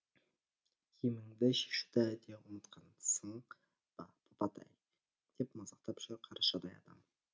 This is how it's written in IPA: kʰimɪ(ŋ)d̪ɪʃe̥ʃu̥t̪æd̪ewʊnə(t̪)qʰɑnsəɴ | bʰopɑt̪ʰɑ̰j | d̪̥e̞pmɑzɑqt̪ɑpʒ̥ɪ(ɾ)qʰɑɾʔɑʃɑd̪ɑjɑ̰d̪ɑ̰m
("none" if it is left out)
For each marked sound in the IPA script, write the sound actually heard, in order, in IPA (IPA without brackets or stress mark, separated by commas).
ŋ, t̪, ɾ